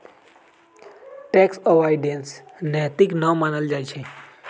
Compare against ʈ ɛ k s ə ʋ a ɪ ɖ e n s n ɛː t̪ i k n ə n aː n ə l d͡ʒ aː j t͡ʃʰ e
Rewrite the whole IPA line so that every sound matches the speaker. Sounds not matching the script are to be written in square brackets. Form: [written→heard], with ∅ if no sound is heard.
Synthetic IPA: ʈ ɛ k s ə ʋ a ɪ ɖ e n s n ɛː t̪ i k n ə [n→m] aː n ə l d͡ʒ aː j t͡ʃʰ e